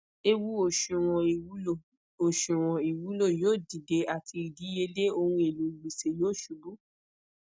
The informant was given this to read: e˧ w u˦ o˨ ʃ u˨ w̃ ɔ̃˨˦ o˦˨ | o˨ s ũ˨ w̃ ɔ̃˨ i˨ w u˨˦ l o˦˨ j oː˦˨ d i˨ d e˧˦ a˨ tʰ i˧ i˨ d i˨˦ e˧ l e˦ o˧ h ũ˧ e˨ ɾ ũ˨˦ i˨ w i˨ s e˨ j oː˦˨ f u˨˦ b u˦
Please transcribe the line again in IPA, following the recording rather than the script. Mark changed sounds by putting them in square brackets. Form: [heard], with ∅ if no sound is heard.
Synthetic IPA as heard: e˧ w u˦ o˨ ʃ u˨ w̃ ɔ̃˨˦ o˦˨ | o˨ [ʃ] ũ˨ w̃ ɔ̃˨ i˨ w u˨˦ l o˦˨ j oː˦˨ d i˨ d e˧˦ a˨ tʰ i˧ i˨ d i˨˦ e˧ l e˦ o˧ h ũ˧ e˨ [l] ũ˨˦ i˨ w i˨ s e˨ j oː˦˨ [ʃ] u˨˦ b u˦

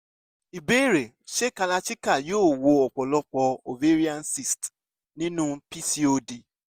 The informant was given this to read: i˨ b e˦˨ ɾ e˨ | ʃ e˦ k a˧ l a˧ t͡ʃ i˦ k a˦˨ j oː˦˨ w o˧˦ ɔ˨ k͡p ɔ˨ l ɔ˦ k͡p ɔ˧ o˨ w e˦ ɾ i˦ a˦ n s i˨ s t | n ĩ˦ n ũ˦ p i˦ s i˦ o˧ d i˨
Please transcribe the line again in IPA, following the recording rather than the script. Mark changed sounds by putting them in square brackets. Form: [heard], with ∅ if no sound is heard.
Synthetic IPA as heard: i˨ b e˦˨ ɾ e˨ | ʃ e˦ k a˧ l a˧ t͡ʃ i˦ k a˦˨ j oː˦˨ w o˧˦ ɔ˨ k͡p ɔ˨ l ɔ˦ k͡p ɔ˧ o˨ [v] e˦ ɾ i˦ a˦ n s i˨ s t | n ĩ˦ n ũ˦ p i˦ s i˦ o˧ d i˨

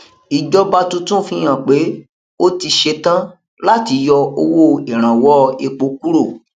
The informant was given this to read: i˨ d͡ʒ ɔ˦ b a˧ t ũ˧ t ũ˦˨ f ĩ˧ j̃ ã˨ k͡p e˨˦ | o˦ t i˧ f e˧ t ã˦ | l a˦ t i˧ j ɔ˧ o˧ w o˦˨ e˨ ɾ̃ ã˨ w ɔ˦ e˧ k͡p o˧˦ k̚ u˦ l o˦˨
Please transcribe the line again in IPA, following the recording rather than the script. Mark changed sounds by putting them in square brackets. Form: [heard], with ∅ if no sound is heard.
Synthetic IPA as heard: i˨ d͡ʒ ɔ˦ b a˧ t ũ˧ t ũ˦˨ f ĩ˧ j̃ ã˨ k͡p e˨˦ | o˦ t i˧ [ʃ] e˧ t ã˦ | l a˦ t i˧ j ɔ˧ o˧ w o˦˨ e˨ ɾ̃ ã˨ w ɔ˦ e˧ k͡p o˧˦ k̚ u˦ [ɾ] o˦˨

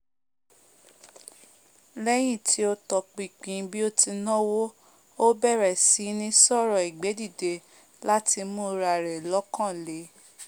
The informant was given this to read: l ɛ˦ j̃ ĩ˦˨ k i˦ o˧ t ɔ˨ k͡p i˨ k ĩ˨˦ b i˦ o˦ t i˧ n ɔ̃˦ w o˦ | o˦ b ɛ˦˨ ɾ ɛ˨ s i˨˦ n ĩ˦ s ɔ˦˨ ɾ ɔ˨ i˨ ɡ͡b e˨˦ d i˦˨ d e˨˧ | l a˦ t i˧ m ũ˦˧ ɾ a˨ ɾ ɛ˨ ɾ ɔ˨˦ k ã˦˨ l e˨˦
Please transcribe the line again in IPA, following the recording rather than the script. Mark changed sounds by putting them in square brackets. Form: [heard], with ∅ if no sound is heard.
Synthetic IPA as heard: l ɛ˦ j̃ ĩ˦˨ [t] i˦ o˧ t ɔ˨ k͡p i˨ [k͡p] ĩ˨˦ b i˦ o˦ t i˧ n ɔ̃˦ w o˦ | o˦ b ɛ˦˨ ɾ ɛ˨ s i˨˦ n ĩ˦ s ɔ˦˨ ɾ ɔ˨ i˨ ɡ͡b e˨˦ d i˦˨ d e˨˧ | l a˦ t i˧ m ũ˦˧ ɾ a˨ ɾ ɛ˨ [l] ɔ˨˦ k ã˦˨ l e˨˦

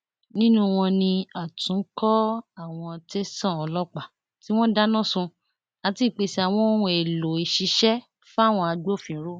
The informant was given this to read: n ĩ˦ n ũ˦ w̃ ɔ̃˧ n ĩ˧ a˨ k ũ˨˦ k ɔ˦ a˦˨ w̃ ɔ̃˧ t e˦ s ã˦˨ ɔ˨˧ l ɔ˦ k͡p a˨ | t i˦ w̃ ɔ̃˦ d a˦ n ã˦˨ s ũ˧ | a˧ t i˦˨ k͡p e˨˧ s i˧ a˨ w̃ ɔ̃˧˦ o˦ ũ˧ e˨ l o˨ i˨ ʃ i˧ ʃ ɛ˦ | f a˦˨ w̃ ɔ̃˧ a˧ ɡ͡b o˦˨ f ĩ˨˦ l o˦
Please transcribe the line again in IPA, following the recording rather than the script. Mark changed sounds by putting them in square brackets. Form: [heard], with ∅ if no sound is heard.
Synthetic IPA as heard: n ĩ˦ n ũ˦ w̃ ɔ̃˧ n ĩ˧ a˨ [t] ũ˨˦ k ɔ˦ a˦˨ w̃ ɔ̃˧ t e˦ s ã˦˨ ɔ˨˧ l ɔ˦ k͡p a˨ | t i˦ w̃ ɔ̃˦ d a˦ n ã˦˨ s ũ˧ | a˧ t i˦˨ k͡p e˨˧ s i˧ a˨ w̃ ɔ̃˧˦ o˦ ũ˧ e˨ l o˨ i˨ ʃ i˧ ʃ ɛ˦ | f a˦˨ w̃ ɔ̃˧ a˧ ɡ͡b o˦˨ f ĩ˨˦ [ɾ] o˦

